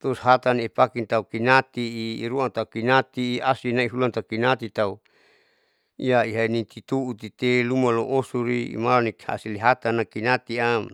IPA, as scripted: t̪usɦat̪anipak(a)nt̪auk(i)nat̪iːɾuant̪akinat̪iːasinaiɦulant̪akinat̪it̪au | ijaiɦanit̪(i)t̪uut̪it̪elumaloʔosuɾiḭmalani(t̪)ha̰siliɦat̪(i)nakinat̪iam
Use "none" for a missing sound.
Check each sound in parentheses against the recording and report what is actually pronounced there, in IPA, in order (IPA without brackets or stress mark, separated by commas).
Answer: i, i, i, none, a